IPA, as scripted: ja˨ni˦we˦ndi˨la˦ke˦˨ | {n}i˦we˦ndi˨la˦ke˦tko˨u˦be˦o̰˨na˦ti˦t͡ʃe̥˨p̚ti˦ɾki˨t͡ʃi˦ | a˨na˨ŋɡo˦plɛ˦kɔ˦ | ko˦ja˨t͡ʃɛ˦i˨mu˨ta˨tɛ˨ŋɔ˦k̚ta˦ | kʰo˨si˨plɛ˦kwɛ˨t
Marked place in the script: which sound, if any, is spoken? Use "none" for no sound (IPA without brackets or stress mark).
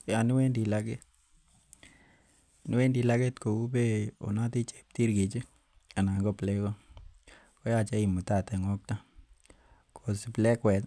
n